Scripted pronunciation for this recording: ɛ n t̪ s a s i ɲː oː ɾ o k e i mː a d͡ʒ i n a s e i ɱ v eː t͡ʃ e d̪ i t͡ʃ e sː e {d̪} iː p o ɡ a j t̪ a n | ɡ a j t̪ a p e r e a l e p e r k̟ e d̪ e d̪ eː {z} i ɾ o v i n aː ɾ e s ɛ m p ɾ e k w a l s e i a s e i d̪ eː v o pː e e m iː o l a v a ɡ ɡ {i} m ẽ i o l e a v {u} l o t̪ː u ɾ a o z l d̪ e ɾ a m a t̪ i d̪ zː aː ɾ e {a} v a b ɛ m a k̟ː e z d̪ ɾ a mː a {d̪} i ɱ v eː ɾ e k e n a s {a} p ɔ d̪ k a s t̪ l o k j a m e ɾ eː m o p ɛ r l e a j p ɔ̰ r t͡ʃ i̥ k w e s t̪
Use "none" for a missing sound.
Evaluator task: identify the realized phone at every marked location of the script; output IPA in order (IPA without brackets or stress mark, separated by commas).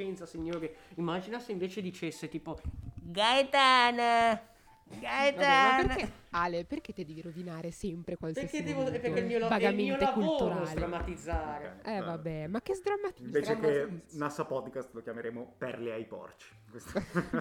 t̪, v, a, u, ɛ, t̪, a